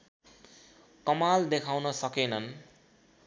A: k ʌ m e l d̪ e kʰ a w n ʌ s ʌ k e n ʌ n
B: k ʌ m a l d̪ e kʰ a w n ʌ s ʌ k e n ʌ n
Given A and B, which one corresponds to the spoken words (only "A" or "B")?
B